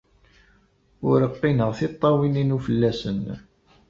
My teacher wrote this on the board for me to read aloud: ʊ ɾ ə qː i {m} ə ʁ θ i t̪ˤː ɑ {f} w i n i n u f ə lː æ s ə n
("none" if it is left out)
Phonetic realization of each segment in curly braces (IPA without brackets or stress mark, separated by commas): n, none